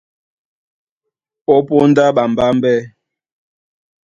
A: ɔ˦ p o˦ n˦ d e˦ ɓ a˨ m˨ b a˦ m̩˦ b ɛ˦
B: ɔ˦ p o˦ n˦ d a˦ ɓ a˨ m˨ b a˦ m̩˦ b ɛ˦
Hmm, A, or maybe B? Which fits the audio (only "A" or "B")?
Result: B